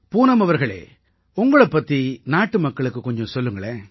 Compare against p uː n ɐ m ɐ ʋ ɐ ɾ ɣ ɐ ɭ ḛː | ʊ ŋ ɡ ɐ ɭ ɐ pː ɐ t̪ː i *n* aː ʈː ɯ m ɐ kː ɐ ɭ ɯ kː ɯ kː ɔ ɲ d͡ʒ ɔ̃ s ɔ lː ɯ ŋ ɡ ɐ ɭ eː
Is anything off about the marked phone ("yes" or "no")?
no